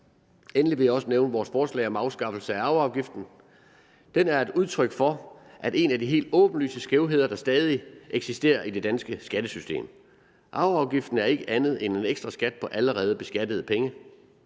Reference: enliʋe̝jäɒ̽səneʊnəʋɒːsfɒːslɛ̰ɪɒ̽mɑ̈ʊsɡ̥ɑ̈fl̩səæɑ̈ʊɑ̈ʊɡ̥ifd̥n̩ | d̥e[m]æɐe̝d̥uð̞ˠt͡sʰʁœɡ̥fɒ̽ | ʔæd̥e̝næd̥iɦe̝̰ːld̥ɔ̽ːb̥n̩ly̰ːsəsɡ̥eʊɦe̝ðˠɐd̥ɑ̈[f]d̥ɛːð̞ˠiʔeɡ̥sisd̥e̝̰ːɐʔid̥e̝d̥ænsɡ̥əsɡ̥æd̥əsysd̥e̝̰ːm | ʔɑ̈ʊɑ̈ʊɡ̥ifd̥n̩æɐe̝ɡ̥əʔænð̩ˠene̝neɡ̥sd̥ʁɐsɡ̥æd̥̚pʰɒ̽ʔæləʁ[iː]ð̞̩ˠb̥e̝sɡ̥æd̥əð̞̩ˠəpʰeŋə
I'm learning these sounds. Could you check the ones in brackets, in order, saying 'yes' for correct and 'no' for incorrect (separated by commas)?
no, no, no